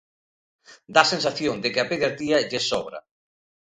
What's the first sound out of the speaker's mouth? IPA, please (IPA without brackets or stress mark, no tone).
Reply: d̪